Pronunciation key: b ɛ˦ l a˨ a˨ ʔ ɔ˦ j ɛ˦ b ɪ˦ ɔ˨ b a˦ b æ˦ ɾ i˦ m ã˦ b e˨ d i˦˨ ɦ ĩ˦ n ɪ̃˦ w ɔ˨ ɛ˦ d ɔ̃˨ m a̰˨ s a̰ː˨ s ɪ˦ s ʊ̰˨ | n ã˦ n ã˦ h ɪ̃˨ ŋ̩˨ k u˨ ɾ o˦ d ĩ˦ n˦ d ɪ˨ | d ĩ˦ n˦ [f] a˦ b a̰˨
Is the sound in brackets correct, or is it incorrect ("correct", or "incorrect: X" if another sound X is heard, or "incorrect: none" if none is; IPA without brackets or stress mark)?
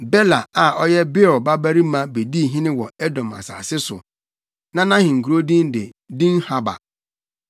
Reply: incorrect: h